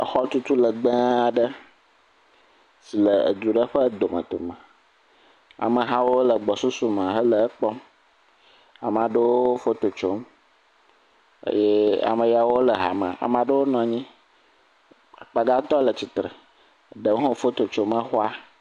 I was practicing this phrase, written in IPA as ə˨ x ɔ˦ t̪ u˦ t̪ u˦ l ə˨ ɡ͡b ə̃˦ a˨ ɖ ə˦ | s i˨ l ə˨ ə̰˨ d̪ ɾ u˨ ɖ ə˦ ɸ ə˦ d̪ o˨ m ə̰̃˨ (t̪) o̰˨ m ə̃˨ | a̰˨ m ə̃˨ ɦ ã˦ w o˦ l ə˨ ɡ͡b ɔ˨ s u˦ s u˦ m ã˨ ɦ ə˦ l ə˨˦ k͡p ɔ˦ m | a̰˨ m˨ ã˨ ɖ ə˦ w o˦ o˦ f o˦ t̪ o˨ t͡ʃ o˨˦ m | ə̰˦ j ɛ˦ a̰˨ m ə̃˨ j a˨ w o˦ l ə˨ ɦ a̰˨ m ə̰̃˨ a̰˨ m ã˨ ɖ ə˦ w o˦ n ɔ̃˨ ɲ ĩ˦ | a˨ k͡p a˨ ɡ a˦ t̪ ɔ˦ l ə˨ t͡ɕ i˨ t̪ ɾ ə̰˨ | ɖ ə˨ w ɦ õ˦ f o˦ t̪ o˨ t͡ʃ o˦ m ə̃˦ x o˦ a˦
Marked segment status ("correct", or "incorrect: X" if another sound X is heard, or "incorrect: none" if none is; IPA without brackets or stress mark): correct